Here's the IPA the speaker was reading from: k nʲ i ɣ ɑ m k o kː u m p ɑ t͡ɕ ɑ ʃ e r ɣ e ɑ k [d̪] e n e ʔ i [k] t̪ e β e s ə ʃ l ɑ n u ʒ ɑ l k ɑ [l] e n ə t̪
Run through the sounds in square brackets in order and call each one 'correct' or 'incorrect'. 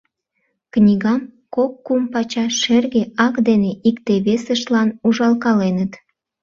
correct, correct, correct

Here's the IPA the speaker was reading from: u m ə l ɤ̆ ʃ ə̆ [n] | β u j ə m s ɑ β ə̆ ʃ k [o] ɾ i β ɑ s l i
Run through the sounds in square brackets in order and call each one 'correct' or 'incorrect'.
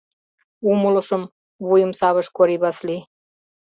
incorrect: m, correct

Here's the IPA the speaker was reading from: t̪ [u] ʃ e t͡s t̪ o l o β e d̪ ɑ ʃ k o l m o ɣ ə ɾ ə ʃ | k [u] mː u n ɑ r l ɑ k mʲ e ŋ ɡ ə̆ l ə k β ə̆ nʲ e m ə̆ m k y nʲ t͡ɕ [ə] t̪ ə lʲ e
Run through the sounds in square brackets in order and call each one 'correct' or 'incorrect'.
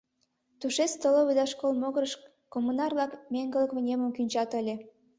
correct, incorrect: o, incorrect: ɑ

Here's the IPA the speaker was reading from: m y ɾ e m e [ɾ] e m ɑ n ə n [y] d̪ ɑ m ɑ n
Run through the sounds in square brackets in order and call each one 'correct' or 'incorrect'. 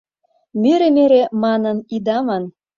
correct, incorrect: i

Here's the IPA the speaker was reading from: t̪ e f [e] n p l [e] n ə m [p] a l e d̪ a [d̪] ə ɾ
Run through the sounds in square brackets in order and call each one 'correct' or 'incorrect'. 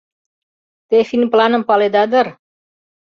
incorrect: i, incorrect: a, correct, correct

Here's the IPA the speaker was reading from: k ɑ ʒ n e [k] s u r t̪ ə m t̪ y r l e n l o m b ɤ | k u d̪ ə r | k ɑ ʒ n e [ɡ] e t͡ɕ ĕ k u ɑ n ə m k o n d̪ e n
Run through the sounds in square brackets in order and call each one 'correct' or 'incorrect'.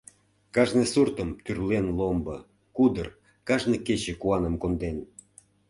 incorrect: none, incorrect: k

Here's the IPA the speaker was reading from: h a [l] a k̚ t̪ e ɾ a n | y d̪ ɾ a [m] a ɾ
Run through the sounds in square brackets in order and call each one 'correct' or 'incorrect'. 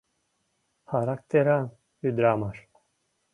incorrect: ɾ, correct

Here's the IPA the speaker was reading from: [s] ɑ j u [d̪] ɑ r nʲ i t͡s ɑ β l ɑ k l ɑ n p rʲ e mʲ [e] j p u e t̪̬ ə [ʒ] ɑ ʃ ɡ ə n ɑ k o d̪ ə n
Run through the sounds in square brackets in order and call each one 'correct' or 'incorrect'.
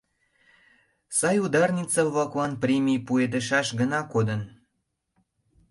correct, correct, incorrect: i, incorrect: ʃ

